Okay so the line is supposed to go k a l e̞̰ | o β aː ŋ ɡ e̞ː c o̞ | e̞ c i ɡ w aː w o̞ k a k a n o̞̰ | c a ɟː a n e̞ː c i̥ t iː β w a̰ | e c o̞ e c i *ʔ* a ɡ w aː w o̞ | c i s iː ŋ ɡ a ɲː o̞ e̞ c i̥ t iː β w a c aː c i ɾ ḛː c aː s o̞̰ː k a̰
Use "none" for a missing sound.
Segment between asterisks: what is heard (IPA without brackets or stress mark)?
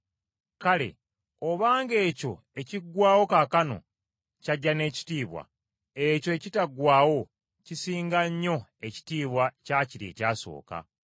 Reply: t